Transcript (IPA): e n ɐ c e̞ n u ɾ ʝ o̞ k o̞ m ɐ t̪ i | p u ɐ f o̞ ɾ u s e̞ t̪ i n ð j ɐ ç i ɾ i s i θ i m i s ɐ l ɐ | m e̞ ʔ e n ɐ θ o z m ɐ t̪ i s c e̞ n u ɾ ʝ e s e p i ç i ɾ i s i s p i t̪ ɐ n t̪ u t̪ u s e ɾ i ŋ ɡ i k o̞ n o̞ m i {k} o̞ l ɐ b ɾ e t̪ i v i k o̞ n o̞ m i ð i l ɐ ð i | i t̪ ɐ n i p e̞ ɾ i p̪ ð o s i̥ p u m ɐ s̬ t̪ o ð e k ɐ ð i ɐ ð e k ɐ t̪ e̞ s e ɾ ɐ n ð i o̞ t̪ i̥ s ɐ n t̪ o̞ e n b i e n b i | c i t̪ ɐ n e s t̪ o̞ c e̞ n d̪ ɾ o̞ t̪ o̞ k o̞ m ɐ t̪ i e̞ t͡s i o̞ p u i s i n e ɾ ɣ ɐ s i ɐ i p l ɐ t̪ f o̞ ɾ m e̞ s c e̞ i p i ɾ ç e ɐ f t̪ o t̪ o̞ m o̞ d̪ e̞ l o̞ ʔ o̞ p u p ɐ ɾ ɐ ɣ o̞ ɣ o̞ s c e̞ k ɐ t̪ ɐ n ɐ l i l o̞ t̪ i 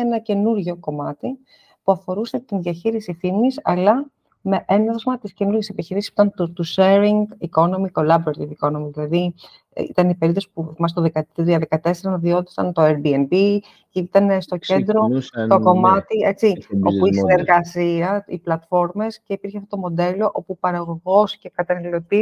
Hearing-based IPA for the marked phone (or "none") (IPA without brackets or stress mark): k